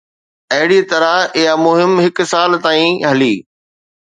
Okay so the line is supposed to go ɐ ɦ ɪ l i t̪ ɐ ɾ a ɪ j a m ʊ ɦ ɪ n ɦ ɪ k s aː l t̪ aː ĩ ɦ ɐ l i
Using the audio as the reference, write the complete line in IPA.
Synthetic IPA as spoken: ɐ ɦ ɪ ɽ i t̪ ɐ ɾ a ɪ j a m ʊ ɦ ɪ m ɦ ɪ k s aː l t̪ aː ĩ ɦ ɐ l iː